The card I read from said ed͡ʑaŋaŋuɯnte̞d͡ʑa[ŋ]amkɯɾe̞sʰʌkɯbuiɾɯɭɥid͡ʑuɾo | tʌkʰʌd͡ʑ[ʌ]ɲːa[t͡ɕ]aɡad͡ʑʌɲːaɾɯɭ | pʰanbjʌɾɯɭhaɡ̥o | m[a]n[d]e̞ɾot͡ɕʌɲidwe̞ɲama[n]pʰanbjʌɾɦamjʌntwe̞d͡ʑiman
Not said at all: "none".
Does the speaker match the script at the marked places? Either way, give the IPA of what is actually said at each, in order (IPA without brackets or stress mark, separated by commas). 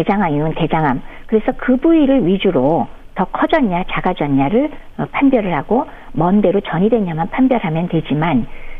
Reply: ŋ, ʌ, t͡ɕ, ʌ, d, n